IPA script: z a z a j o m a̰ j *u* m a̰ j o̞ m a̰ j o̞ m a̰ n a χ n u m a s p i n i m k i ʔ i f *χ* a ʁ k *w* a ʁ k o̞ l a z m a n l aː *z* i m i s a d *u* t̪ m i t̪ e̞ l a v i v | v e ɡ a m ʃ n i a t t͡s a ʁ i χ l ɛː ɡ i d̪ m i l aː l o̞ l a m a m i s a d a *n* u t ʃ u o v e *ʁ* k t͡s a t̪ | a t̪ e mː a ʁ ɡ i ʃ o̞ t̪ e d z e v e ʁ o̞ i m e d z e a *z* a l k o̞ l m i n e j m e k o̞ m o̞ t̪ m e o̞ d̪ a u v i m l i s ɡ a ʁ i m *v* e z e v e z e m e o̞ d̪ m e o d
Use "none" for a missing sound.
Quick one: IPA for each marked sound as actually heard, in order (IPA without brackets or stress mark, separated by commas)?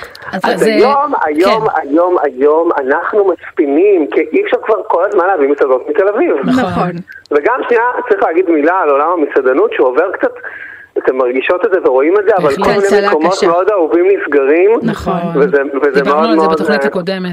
o, ʃ, v, v, o, n, ʁ, v, v